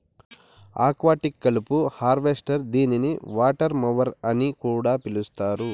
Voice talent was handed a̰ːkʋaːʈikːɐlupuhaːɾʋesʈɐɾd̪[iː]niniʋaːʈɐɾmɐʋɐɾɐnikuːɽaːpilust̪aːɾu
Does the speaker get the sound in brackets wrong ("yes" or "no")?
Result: no